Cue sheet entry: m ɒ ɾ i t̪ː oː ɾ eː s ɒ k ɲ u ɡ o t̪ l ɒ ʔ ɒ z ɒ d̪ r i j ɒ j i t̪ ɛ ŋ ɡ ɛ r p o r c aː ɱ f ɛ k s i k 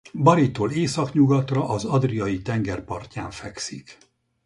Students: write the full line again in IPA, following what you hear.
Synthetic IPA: b ɒ ɾ i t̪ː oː l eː s ɒ k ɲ u ɡ ɒ t̪ r ɒ ʔ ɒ z ɒ d̪ r i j ɒ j i t̪ ɛ ŋ ɡ ɛ r p ɒ r c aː ɱ f ɛ k s i k